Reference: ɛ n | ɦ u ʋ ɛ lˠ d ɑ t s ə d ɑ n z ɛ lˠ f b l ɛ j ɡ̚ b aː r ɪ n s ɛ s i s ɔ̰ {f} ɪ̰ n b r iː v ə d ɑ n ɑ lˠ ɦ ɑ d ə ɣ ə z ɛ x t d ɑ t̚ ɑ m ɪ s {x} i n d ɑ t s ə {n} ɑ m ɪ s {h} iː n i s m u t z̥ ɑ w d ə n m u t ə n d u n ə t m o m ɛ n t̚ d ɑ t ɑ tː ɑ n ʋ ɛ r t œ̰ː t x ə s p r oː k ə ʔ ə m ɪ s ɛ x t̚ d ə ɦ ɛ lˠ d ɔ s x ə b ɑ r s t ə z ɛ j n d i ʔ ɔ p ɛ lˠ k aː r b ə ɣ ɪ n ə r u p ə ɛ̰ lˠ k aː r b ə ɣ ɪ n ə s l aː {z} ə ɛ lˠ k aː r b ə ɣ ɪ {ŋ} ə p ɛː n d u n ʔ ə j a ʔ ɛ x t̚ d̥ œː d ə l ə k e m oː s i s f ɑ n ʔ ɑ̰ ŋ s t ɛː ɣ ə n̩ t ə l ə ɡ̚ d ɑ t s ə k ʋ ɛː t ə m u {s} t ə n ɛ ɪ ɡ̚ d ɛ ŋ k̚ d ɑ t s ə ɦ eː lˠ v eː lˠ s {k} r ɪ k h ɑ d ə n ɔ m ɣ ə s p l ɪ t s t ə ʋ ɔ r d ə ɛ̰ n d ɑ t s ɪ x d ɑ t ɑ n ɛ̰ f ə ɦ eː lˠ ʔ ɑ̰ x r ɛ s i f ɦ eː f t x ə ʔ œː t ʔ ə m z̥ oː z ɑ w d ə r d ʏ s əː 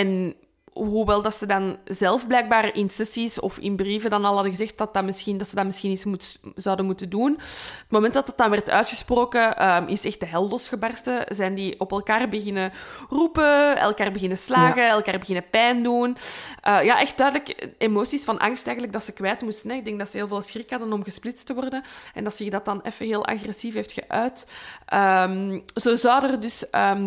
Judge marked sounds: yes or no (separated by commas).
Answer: yes, yes, no, no, no, no, yes, no